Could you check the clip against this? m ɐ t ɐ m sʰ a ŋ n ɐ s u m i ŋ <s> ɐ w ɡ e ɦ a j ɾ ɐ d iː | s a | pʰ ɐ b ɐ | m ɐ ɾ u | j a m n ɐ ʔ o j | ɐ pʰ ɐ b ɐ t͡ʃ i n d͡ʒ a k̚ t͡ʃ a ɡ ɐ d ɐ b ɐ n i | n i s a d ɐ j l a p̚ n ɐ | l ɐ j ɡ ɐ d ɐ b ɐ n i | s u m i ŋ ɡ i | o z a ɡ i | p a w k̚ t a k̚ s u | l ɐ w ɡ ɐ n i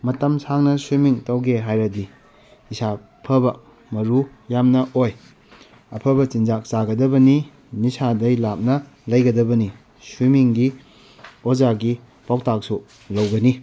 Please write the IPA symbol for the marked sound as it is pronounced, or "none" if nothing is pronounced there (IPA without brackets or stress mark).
t